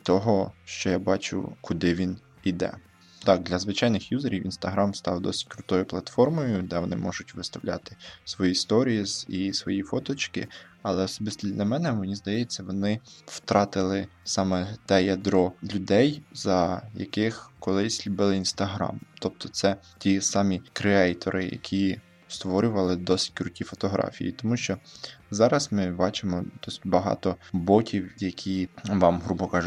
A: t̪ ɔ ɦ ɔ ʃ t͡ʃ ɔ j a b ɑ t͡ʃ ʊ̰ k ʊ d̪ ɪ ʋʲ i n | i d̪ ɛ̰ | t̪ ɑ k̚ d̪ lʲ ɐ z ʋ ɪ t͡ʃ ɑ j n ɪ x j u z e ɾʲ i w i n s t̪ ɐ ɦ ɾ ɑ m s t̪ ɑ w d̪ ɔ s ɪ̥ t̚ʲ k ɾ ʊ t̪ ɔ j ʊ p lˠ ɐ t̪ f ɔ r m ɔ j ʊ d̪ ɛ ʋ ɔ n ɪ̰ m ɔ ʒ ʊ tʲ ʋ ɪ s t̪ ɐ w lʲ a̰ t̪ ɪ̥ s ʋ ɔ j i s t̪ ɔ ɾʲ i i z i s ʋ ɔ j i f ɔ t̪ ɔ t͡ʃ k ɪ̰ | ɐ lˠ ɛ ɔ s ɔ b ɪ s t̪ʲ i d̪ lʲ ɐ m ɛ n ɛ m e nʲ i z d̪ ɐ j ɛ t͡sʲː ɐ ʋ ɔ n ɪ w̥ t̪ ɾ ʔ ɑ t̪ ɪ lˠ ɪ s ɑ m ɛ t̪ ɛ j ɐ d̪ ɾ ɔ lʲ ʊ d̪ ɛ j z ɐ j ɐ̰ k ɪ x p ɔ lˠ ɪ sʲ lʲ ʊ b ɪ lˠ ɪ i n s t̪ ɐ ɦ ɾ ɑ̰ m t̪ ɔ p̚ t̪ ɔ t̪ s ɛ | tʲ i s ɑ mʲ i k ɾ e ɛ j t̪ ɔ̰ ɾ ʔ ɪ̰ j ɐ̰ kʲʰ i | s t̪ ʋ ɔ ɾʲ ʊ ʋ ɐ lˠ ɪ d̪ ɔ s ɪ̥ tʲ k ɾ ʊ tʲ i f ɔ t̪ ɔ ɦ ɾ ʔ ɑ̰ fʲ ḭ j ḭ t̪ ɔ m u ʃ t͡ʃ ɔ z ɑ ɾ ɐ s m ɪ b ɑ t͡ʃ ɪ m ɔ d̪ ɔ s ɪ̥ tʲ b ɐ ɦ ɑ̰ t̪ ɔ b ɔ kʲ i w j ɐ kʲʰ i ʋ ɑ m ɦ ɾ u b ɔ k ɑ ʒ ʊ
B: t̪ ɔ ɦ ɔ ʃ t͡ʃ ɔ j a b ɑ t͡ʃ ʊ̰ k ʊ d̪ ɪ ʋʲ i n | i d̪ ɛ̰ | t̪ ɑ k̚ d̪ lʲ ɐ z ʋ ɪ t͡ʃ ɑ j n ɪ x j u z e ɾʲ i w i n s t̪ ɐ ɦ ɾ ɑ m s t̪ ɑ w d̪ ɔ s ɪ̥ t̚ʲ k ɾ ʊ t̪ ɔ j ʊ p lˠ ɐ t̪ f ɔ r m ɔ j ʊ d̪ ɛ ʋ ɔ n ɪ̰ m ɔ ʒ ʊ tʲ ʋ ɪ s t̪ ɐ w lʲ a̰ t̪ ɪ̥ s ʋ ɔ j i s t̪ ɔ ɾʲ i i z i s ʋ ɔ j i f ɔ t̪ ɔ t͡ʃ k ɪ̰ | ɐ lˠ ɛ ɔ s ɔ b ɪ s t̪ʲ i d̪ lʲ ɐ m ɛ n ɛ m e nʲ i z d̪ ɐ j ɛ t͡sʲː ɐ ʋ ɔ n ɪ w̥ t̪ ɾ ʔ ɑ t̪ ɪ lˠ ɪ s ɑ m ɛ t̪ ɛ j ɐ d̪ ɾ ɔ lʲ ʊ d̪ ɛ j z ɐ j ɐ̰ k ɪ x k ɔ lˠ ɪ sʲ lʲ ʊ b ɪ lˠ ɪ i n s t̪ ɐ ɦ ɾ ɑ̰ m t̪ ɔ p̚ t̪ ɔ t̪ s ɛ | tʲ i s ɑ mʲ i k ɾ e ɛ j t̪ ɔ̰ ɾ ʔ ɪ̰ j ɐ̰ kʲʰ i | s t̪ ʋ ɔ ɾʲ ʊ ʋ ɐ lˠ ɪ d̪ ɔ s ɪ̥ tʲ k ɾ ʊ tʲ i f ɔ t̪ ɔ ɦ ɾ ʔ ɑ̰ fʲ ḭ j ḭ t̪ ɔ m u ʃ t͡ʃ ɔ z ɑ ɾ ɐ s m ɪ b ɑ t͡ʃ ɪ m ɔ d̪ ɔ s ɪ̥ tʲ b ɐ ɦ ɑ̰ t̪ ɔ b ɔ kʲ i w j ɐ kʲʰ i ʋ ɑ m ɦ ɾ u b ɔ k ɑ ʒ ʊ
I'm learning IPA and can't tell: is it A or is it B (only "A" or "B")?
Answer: B